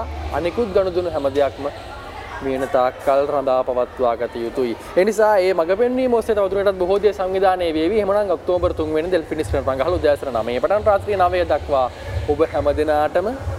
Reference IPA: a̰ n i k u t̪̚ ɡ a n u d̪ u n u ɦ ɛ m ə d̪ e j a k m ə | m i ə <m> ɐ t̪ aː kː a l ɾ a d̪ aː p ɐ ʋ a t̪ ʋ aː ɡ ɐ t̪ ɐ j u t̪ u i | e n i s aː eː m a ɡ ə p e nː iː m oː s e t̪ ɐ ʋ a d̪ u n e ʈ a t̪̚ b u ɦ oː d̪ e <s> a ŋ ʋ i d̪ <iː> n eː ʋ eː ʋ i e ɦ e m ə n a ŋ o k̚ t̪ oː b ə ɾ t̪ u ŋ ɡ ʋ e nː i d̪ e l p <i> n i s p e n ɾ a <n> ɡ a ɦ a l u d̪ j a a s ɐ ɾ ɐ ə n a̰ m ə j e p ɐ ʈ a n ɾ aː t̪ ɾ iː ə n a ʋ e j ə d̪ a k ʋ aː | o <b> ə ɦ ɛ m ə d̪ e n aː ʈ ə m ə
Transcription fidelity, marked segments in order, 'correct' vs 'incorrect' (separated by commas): incorrect, correct, incorrect, correct, incorrect, correct